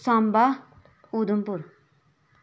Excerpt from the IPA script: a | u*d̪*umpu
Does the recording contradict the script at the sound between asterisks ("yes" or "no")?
no